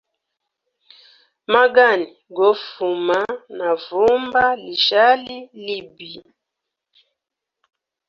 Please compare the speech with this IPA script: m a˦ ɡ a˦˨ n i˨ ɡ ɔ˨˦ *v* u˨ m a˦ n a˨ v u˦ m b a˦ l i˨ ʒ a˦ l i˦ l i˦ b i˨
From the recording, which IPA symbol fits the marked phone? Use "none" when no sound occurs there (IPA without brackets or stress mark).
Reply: f